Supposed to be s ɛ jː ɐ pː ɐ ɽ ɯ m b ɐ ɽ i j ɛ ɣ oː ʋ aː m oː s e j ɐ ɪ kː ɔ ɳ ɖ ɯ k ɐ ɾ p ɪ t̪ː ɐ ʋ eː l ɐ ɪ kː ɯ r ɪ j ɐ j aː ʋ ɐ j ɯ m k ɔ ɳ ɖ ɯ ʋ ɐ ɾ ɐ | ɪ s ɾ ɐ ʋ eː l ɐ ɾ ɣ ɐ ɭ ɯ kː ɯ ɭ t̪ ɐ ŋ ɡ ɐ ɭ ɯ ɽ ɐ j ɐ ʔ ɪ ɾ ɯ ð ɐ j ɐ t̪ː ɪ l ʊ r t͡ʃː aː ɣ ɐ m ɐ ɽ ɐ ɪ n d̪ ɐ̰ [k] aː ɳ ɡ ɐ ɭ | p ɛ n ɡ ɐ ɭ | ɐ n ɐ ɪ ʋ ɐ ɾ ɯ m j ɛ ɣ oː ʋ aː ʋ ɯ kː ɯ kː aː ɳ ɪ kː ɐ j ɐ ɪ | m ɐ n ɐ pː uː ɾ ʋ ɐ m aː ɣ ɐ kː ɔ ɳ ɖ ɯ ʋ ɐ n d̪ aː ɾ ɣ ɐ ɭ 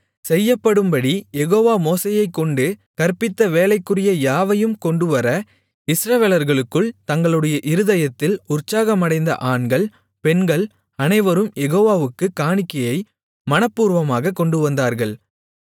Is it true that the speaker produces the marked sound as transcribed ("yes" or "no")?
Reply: no